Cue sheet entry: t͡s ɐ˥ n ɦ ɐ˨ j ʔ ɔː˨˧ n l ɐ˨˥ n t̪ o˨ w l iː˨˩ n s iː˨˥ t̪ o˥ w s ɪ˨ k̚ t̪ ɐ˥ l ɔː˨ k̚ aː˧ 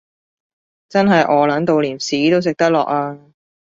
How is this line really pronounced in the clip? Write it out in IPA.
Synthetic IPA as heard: t͡s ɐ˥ n ɦ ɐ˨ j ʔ ɔː˨˧ l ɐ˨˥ n t̪ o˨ w l iː˨˩ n s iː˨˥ t̪ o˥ w s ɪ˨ k̚ t̪ ɐ˥ l ɔː˨ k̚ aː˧